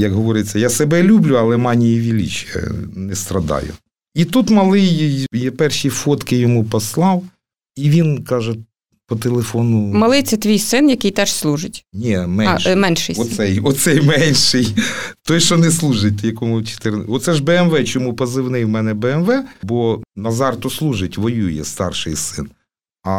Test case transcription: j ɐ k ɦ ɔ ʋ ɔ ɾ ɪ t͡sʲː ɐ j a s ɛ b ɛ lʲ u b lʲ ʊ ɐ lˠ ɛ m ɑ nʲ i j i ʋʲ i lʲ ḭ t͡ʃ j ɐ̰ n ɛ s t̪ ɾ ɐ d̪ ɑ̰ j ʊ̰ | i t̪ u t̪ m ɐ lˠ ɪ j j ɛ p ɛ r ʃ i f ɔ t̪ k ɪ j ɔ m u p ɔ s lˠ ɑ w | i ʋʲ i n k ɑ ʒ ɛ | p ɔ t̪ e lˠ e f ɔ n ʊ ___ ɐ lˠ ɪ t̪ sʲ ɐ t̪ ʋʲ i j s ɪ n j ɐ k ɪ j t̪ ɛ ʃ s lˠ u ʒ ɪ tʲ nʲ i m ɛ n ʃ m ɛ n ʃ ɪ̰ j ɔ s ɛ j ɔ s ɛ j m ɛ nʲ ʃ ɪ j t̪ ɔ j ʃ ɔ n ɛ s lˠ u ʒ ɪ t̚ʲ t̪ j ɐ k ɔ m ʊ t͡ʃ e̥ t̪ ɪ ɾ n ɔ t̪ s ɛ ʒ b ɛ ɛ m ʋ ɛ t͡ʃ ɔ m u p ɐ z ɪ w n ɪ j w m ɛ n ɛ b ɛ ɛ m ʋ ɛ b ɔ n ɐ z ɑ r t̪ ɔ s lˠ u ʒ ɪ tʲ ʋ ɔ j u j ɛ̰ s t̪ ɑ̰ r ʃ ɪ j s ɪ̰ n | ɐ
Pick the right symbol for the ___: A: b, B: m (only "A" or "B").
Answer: B